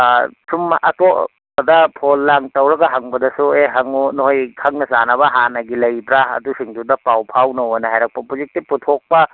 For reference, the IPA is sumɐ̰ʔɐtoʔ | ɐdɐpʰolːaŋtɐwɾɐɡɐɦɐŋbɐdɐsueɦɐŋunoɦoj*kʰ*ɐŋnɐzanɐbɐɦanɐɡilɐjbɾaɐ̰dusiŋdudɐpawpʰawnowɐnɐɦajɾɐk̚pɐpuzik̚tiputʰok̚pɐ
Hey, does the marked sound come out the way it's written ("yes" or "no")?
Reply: yes